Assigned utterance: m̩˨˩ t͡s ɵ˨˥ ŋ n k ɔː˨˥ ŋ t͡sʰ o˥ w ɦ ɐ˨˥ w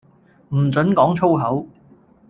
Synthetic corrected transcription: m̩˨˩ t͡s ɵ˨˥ n k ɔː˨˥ ŋ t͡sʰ o˥ w ɦ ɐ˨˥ w

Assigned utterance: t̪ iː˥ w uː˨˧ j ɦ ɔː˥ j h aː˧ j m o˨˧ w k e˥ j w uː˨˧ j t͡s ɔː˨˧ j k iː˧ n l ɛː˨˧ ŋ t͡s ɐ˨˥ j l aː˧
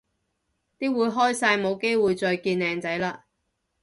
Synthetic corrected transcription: t̪ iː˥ w uː˨˧ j ɦ ɔː˥ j s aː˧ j m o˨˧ w k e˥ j w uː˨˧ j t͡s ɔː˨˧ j k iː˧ n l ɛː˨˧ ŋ t͡s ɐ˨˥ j l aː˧

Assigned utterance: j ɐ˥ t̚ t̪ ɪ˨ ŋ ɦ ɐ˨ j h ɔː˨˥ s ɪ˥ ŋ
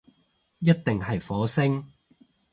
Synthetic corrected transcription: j ɐ˥ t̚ t̪ ɪ˨ ŋ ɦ ɐ˨ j f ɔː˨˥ s ɪ˥ ŋ

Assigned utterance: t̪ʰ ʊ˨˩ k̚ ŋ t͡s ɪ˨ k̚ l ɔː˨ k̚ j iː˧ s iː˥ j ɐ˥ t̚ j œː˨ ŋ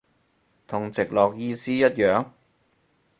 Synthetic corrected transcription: t̪ʰ ʊ˨˩ ŋ t͡s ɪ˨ k̚ l ɔː˨ k̚ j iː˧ s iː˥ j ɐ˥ t̚ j œː˨ ŋ

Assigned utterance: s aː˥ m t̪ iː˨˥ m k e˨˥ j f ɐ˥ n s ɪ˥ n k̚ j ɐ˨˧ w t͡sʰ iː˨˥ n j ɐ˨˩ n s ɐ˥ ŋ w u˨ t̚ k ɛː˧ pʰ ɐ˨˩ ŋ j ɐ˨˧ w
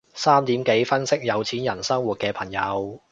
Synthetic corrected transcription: s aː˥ m t̪ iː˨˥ m k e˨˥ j f ɐ˥ n s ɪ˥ k̚ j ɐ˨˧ w t͡sʰ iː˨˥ n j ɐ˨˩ n s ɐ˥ ŋ w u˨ t̚ k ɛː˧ pʰ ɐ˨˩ ŋ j ɐ˨˧ w

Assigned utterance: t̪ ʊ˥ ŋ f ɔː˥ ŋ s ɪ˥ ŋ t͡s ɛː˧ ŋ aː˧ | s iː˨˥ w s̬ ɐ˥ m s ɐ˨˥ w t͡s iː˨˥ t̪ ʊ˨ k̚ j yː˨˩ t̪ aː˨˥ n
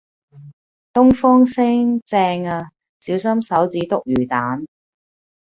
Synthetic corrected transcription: t̪ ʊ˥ ŋ f ɔː˥ ŋ s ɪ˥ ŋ t͡s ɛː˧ ŋ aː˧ | s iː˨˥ w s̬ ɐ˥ m s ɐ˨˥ w t͡s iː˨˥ t̪ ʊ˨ k̚ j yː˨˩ t̪ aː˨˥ n

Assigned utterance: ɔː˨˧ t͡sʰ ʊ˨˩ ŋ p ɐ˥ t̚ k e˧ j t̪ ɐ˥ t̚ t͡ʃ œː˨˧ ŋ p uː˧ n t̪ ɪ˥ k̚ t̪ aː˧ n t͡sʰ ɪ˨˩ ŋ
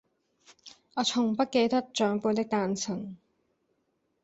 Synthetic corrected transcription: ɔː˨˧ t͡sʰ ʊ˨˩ ŋ p ɐ˥ t̚ k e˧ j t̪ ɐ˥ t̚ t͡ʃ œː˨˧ ŋ p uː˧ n t̪ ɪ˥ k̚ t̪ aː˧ n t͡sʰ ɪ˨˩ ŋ

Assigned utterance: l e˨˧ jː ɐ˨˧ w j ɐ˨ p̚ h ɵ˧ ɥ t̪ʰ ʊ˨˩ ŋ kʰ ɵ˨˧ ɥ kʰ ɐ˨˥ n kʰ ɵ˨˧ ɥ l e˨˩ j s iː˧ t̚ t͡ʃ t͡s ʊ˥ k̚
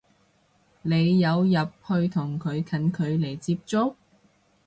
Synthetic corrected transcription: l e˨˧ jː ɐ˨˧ w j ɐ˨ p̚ h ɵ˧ ɥ t̪ʰ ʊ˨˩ ŋ kʰ ɵ˨˧ ɥ kʰ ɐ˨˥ n kʰ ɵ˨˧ ɥ l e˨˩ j t͡s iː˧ p̚ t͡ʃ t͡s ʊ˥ k̚

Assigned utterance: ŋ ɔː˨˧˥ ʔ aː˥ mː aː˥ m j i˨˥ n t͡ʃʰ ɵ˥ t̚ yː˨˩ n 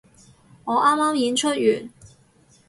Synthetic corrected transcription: ŋ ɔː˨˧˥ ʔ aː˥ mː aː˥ m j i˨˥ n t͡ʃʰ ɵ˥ t̚ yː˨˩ n

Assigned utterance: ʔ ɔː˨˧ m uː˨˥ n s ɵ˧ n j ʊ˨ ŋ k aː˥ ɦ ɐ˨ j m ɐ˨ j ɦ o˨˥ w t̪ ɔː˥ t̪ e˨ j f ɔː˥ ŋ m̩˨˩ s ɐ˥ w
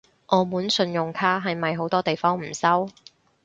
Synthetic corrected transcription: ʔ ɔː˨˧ m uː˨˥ n s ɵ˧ n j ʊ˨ ŋ kʰ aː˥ ɦ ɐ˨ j m ɐ˨ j ɦ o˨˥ w t̪ ɔː˥ t̪ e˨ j f ɔː˥ ŋ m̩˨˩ s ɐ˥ w

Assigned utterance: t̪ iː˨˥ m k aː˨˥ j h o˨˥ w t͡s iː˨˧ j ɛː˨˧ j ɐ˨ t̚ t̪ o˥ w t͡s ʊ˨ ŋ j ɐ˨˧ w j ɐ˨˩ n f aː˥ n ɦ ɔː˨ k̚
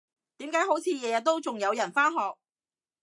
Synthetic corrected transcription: t̪ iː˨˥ m k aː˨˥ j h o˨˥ w t͡sʰ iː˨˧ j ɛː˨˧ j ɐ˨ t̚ t̪ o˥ w t͡s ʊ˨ ŋ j ɐ˨˧ w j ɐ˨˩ n f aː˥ n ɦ ɔː˨ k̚

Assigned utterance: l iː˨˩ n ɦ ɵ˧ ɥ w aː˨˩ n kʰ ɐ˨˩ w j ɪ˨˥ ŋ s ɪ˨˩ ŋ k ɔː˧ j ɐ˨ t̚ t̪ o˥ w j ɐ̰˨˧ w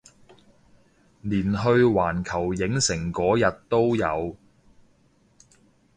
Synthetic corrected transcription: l iː˨˩ n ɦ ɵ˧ ɥ w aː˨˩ n kʰ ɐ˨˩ w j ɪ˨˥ ŋ s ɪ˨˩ ŋ k ɔː˨˥ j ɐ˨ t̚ t̪ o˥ w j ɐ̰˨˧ w

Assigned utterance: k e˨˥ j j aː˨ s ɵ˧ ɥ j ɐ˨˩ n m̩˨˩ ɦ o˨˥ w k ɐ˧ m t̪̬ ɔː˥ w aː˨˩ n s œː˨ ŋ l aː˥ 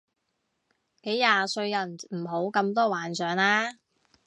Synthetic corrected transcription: k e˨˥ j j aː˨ s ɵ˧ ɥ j ɐ˨˩ n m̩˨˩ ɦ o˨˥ w k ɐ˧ m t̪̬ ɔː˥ w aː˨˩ n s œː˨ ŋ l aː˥

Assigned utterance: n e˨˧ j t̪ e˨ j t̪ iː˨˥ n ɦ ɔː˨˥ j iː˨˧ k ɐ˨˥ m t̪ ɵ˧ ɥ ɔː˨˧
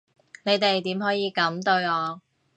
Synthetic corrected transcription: n e˨˧ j t̪ e˨ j t̪ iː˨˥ m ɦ ɔː˨˥ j iː˨˧ k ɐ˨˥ m t̪ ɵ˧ ɥ ɔː˨˧

